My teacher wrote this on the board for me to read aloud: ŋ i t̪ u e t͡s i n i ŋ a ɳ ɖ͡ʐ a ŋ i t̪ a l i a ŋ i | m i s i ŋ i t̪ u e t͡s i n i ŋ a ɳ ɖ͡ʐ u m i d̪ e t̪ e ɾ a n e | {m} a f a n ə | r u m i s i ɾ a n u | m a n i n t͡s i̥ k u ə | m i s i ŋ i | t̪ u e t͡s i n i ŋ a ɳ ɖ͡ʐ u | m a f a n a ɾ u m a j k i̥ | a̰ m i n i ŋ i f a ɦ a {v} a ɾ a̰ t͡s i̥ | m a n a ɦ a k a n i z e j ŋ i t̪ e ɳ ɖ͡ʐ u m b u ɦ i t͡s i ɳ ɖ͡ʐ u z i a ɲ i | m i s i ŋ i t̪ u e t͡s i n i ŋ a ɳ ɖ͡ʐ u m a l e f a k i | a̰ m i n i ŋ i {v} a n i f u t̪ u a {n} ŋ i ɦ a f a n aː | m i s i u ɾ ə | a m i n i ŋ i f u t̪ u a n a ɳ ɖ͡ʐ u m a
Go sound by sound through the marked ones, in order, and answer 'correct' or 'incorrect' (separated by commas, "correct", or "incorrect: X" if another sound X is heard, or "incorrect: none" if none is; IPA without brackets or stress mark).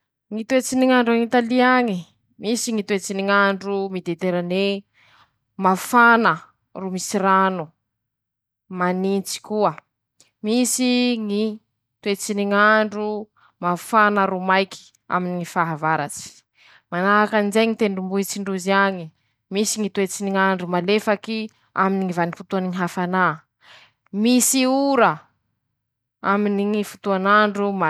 correct, correct, correct, correct